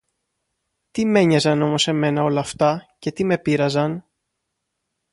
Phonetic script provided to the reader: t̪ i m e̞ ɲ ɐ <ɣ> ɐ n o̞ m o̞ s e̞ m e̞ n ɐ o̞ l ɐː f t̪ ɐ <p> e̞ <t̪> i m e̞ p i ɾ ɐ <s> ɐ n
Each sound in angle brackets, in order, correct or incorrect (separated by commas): incorrect, incorrect, correct, incorrect